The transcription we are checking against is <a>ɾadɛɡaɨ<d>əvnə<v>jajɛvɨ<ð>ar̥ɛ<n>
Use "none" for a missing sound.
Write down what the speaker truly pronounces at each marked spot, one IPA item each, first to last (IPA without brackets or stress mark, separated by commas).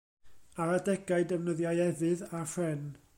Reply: a, d, ð, ð, n